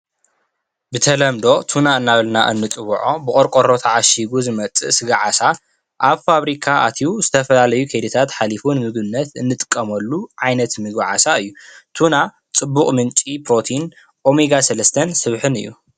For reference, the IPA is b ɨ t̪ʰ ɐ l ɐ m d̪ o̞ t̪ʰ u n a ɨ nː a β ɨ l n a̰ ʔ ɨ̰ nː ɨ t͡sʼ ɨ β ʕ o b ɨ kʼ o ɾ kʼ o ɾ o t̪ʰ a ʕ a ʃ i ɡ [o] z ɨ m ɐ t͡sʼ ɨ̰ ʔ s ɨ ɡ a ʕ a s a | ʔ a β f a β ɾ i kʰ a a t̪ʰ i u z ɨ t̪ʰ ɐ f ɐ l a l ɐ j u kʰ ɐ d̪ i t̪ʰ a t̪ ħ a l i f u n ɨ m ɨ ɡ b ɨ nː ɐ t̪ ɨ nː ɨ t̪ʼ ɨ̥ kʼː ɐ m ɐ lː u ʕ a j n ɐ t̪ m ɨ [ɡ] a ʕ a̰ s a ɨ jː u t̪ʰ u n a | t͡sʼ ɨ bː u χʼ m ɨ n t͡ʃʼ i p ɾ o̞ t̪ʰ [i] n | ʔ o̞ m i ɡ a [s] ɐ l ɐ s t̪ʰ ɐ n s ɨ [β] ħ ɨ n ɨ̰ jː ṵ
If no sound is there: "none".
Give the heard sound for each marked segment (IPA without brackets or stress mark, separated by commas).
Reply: u, ɡ, i, s, β